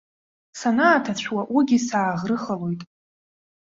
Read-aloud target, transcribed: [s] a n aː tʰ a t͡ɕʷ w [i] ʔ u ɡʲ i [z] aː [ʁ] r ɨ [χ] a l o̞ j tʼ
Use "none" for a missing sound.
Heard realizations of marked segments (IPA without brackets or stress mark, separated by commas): s, a, s, ʁ, χ